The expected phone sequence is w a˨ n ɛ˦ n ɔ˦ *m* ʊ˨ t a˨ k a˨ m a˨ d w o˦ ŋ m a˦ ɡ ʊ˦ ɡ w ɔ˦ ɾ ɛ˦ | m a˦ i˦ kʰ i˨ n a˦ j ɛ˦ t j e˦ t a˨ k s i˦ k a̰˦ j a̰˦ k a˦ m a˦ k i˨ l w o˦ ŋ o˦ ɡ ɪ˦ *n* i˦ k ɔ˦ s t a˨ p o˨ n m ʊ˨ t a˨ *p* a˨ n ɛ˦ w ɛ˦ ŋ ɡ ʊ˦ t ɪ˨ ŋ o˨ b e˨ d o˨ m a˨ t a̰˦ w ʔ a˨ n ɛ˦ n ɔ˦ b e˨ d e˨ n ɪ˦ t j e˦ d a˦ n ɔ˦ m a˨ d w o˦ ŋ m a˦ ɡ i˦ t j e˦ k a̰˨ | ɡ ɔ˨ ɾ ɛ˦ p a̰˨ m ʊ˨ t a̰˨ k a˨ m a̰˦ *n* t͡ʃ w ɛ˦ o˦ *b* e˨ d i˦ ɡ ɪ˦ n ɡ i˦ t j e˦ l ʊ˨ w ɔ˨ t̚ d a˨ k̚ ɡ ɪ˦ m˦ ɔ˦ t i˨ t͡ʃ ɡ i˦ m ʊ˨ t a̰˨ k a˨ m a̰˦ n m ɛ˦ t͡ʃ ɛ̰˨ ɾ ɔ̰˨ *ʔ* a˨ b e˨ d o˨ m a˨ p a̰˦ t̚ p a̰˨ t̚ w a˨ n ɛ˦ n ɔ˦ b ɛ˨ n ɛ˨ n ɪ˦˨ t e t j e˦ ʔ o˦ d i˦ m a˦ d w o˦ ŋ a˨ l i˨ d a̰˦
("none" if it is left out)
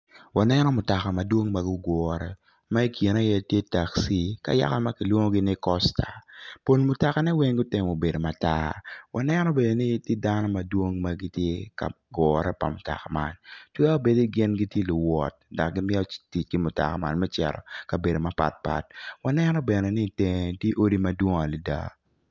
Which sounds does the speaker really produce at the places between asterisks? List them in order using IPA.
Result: m, n, k, n, b, k

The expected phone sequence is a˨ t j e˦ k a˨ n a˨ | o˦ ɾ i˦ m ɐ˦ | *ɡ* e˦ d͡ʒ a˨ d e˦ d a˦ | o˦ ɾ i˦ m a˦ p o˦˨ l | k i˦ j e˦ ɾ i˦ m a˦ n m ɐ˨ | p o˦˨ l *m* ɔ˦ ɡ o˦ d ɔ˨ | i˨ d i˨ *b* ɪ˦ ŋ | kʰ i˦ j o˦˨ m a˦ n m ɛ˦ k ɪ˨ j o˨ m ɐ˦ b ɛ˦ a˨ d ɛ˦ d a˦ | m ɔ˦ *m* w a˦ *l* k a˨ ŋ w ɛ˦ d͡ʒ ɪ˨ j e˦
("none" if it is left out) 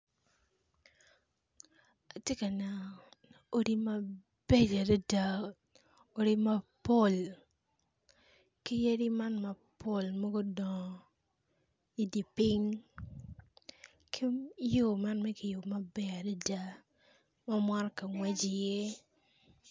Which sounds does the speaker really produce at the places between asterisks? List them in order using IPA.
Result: b, m, p, m, ɾ

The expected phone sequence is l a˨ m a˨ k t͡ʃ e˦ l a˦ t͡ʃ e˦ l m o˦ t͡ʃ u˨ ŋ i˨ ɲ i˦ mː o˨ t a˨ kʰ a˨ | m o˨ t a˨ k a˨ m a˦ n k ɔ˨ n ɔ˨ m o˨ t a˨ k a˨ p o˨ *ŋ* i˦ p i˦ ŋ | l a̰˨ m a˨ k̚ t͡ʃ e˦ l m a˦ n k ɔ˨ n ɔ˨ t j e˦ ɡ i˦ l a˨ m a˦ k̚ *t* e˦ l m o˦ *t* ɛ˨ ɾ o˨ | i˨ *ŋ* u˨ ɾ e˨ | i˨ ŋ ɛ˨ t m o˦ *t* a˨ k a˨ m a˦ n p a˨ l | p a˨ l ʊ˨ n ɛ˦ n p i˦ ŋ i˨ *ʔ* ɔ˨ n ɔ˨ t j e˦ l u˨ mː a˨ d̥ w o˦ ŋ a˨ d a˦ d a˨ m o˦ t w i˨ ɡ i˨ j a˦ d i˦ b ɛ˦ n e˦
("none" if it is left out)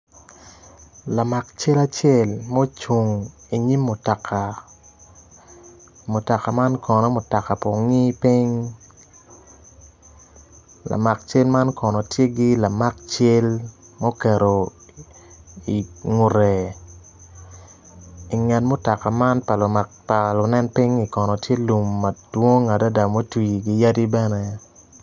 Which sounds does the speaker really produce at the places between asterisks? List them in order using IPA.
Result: ŋ, t͡ʃ, k, ŋ, t, k

